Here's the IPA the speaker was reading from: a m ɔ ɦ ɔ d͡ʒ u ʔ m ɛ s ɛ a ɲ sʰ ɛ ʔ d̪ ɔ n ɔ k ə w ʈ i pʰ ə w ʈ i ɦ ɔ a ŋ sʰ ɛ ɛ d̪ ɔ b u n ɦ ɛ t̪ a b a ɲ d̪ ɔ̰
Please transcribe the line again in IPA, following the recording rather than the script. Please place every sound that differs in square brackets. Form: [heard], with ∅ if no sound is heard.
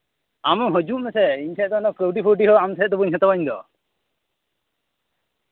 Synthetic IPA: a m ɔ ɦ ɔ d͡ʒ u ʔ m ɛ s ɛ [i] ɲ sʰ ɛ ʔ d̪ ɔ n ɔ k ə w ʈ i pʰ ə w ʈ i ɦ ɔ a [m] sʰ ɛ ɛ d̪ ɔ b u [ɲ] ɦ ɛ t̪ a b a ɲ d̪ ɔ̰